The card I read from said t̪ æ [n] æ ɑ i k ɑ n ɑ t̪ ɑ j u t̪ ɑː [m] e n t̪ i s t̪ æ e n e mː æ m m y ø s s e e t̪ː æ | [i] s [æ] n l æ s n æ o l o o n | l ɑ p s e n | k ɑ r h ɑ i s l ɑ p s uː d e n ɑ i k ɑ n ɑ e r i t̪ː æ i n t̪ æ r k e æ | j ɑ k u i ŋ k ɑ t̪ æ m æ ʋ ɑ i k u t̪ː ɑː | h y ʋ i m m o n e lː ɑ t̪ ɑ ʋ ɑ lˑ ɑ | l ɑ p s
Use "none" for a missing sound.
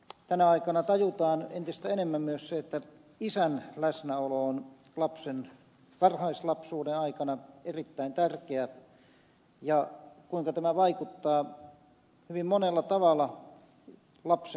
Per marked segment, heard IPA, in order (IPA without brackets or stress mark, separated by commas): n, n, i, æ